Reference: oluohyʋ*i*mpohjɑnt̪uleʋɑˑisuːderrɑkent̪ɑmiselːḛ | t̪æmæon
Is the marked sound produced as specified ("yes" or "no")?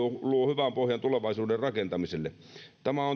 no